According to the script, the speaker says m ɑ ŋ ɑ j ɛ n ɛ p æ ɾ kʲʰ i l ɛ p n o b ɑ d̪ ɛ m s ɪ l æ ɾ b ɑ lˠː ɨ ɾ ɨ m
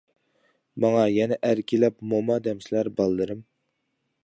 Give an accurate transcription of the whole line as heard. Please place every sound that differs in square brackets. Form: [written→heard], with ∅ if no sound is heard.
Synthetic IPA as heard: m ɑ ŋ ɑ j ɛ n ɛ [p→ʔ] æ ɾ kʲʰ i l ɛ p [n→m] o [b→m] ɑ d̪ ɛ m s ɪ l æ ɾ b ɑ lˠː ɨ ɾ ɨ m

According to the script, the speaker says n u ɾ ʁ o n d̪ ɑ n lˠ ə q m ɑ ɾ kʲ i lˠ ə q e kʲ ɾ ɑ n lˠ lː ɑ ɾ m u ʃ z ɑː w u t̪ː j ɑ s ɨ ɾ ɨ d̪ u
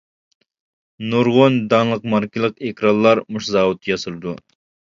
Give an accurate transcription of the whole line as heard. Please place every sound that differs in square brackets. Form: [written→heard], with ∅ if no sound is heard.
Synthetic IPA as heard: n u ɾ ʁ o n d̪ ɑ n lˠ ə q m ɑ ɾ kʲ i lˠ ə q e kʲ ɾ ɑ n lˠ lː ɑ ɾ m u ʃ z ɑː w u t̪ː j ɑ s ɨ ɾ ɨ d̪ u

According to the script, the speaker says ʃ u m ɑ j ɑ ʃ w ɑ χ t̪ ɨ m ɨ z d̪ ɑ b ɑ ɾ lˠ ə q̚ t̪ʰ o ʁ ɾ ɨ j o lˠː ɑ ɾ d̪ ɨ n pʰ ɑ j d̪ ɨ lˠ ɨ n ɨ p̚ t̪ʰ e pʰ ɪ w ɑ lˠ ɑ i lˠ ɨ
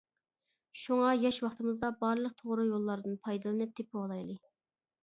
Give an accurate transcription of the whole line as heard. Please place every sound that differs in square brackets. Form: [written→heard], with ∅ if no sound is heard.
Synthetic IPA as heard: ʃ u [m→ŋ] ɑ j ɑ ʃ w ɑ χ t̪ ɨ m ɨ z d̪ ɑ b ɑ ɾ lˠ ə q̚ t̪ʰ o ʁ ɾ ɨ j o lˠː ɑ ɾ d̪ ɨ n pʰ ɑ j d̪ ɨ lˠ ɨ n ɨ p̚ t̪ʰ e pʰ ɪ w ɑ lˠ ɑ [i→j] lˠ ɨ

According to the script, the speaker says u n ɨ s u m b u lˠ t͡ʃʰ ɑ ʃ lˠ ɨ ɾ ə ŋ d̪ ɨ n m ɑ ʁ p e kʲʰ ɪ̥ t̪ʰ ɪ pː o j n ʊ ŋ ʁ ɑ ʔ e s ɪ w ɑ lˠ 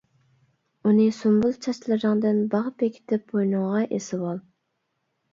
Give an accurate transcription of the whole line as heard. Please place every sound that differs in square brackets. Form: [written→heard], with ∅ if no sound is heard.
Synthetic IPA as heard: u n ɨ s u m b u lˠ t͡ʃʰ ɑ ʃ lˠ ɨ ɾ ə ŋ d̪ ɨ n [m→b] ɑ ʁ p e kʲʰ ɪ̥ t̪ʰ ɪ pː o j n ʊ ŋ ʁ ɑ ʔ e s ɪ w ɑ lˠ

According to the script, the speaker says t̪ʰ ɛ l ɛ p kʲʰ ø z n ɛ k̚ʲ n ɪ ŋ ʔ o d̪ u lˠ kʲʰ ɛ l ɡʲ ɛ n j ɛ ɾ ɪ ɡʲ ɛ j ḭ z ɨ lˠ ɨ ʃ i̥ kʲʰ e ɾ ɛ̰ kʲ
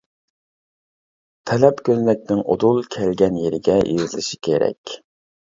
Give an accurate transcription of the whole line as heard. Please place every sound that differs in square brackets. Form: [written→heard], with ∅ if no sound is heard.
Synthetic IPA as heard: t̪ʰ ɛ l ɛ p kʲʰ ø z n ɛ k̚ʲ n ɪ ŋ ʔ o d̪ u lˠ kʲʰ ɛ l ɡʲ ɛ n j [ɛ→e] ɾ ɪ ɡʲ ɛ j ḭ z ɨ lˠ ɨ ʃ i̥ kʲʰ e ɾ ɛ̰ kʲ

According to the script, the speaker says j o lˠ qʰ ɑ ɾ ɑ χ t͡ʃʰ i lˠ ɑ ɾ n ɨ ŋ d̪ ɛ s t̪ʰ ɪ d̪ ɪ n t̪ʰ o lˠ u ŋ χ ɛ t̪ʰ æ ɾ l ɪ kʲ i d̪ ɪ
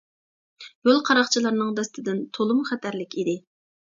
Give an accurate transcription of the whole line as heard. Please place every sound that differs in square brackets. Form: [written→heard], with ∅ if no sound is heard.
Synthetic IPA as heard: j o lˠ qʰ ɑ ɾ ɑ χ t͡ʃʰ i lˠ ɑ ɾ n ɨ ŋ d̪ ɛ s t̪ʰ ɪ d̪ ɪ n t̪ʰ o lˠ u [ŋ→m] χ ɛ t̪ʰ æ ɾ l ɪ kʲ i d̪ ɪ

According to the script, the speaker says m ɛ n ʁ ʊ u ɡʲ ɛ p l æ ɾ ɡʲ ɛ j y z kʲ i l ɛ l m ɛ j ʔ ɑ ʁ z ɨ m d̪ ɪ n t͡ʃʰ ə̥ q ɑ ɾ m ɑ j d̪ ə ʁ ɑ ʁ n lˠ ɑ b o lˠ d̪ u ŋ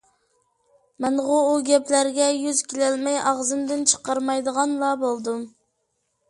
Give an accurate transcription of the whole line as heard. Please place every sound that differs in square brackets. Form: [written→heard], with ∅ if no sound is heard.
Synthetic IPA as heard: m ɛ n ʁ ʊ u ɡʲ ɛ p l æ ɾ ɡʲ ɛ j y z kʲ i l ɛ l m ɛ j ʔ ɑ ʁ z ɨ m d̪ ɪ n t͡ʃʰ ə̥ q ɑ ɾ m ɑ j d̪ ə ʁ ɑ [ʁ→∅] n lˠ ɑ b o lˠ d̪ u [ŋ→m]

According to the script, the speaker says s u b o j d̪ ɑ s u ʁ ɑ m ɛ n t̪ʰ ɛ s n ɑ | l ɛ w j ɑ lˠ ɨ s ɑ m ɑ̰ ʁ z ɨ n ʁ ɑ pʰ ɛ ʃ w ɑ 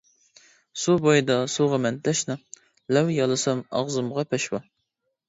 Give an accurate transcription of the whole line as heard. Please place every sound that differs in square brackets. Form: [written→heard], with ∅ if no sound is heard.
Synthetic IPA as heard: s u b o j d̪ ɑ s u ʁ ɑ m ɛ n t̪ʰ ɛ [s→ʃ] n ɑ | l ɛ w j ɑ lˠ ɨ s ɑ m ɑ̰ ʁ z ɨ [n→m] ʁ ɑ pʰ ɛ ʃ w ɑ

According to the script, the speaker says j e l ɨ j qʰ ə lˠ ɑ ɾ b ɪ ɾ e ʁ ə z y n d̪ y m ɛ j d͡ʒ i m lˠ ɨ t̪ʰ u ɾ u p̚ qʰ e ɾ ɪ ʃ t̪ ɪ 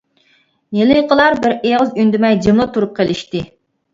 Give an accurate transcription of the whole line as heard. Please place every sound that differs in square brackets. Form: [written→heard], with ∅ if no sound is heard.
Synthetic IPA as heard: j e l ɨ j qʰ ə lˠ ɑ ɾ b ɪ ɾ e ʁ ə z y n d̪ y m ɛ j d͡ʒ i m lˠ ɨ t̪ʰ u ɾ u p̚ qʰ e [ɾ→l] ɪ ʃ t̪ ɪ

